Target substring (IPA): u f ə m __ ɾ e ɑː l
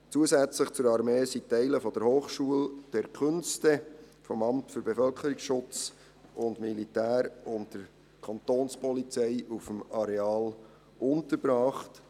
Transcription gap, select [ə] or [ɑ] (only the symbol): ɑ